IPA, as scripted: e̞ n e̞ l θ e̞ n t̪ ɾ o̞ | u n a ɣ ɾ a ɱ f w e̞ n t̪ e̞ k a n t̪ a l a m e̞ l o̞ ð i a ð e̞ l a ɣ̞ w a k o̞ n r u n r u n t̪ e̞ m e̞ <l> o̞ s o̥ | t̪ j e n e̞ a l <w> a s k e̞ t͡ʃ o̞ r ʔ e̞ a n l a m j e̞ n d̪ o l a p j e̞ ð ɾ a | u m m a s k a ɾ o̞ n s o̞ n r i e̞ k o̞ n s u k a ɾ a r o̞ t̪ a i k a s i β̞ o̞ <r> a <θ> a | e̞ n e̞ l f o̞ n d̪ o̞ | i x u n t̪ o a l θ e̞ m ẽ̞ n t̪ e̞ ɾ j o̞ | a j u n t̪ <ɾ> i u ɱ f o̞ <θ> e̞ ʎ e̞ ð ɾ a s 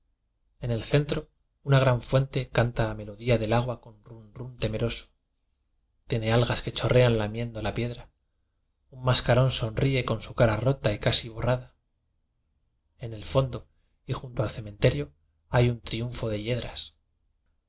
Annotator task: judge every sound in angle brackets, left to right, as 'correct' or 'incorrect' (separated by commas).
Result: incorrect, incorrect, correct, incorrect, correct, incorrect